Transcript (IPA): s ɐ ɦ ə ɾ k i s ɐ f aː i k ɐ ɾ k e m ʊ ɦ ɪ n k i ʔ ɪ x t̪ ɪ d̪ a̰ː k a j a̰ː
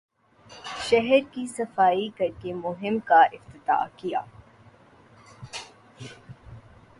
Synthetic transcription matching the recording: ʃ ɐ ɦ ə ɾ k i s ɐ f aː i k ɐ ɾ k e m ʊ ɦ ɪ m k a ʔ ɪ f t̪ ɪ t̪ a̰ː k i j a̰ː